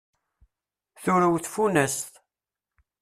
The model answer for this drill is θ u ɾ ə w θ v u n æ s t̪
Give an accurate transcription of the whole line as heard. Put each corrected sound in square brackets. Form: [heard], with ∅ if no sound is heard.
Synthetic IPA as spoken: θ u ɾ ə w θ [f] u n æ s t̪